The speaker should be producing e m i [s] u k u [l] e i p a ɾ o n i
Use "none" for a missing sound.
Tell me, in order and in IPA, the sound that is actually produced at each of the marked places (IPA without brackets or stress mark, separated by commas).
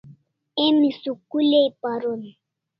s, l